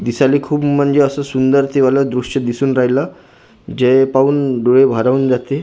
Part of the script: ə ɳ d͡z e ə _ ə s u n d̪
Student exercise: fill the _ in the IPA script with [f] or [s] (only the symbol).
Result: s